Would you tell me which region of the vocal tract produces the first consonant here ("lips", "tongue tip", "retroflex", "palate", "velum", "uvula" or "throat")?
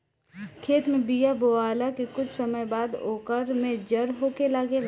velum